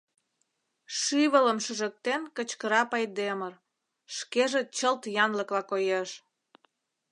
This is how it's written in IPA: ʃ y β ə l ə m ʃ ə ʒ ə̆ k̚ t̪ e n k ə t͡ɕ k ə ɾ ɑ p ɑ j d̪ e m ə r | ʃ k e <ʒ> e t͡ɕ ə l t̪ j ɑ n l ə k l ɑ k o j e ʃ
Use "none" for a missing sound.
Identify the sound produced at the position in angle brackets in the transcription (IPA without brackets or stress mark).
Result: ʒ